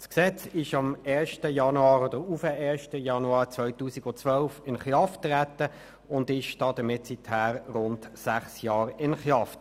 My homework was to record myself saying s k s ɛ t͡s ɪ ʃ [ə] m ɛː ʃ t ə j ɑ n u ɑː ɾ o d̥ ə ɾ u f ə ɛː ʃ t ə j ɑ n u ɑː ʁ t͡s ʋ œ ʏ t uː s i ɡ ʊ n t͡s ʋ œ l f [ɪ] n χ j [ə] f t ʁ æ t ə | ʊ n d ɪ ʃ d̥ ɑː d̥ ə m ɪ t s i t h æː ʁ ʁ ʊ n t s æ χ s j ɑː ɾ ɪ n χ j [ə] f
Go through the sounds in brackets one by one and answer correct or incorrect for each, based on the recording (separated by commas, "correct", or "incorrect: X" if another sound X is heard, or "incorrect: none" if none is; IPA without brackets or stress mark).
incorrect: ɑ, correct, incorrect: ɑ, incorrect: ɑ